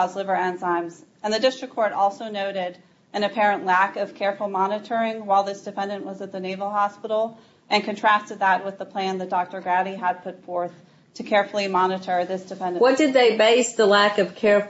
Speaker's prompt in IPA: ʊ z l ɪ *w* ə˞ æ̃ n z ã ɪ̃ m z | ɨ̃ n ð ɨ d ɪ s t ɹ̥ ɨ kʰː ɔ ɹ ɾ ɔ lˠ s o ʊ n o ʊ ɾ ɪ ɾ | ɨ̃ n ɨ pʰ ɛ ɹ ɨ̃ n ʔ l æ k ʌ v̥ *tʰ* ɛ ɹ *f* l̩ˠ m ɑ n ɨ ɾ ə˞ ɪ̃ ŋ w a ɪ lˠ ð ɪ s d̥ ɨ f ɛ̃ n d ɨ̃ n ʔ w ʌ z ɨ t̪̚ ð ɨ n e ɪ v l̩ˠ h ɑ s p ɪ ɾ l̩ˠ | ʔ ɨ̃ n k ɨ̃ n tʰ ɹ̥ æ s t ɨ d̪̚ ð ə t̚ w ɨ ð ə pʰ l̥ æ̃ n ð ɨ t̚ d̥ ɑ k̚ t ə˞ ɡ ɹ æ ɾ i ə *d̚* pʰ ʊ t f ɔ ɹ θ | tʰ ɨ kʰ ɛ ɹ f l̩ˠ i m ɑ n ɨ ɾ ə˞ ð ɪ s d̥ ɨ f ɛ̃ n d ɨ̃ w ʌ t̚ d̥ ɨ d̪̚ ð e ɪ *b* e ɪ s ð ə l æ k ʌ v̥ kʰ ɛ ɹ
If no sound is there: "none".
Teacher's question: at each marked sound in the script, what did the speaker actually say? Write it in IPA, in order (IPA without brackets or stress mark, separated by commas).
v, kʰ, f, d̚, b